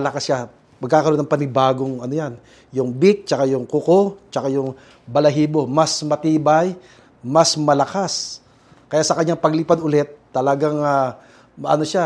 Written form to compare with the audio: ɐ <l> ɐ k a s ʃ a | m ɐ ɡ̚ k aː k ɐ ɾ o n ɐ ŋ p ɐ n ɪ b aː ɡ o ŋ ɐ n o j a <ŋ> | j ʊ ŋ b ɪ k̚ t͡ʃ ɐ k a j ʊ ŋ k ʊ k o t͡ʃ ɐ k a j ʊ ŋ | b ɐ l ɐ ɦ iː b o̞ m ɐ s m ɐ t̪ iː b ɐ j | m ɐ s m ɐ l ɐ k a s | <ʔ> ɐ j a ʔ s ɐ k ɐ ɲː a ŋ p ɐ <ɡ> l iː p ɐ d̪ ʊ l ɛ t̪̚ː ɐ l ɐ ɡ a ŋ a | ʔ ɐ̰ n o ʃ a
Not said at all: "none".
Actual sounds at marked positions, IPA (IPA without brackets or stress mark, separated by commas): l, n, k, ɡ